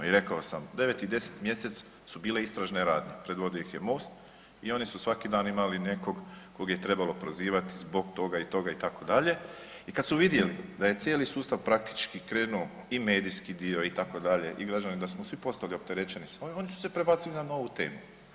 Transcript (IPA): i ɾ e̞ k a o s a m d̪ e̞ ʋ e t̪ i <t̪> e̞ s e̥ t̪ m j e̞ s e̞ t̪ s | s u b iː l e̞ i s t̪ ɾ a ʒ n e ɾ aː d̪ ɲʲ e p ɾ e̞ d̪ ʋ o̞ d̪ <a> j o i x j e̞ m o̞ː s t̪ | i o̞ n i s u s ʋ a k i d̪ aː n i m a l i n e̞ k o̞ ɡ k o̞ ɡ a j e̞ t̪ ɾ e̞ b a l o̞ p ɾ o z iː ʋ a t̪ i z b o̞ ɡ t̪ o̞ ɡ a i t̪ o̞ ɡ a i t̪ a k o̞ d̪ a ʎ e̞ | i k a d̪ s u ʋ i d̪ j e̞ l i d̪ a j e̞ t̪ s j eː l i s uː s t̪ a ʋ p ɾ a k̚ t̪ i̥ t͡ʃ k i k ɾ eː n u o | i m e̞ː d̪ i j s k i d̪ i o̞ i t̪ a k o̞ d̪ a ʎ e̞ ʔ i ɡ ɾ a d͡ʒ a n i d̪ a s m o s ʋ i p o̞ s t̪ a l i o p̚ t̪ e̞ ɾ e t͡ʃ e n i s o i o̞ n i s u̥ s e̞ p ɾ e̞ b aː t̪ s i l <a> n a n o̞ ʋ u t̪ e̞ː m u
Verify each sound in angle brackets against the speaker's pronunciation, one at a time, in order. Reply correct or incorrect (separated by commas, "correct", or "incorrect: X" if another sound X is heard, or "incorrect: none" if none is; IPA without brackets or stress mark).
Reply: incorrect: d̪, incorrect: i, incorrect: i